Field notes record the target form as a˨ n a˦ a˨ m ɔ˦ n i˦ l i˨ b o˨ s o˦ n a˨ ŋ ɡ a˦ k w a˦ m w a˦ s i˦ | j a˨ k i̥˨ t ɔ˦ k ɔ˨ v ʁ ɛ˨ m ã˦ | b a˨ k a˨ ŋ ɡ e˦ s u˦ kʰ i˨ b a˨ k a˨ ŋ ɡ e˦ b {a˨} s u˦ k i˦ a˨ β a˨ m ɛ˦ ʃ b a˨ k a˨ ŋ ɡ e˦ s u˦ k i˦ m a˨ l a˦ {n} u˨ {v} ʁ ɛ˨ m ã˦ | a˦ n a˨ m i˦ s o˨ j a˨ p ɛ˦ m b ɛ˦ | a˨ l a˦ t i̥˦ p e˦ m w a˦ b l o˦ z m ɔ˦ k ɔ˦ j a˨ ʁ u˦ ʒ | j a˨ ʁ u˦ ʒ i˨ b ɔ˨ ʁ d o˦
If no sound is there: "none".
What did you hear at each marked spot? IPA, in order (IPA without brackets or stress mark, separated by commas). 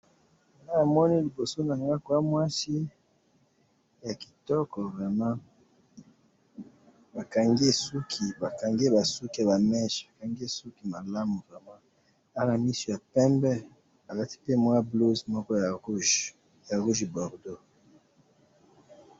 a˨, m, v